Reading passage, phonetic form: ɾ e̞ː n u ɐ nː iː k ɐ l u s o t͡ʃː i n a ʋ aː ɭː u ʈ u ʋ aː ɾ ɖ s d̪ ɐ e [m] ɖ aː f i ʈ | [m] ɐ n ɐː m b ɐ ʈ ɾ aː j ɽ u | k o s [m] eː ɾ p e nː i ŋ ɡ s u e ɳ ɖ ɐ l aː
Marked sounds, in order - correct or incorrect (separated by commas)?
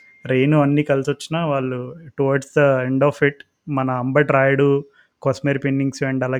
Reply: incorrect, correct, correct